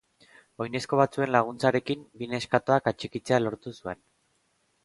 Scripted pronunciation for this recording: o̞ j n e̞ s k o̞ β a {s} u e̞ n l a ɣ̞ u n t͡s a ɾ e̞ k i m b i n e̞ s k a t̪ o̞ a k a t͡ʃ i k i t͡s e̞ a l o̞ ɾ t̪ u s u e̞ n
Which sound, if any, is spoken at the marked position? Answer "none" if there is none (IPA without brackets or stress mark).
t͡s